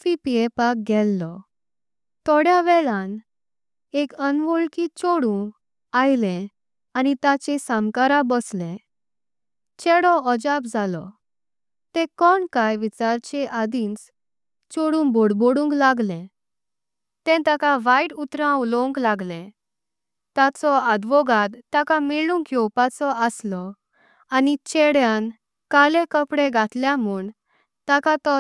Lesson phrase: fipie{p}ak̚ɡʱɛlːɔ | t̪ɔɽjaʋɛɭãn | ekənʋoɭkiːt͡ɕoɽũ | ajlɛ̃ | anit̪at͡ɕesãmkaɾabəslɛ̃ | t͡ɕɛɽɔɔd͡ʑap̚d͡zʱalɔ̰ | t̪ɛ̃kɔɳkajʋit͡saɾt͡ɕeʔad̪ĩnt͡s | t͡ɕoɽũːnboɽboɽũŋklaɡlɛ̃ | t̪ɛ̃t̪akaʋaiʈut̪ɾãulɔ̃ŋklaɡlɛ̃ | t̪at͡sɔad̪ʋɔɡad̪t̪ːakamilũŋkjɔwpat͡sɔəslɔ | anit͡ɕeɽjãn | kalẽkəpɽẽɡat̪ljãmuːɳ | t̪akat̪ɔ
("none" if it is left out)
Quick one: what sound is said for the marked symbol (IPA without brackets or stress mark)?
p